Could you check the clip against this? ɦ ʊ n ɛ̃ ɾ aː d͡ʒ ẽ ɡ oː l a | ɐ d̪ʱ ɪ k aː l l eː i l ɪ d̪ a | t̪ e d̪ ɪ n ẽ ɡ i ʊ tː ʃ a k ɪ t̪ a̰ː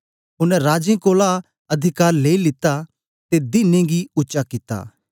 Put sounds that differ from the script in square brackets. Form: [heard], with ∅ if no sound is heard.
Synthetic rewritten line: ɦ ʊ n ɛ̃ ɾ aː d͡ʒ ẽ [k] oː l a | ɐ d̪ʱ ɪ k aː [ɾ] l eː i l ɪ [t̪] a | t̪ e d̪ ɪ n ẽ ɡ i ʊ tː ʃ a k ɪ t̪ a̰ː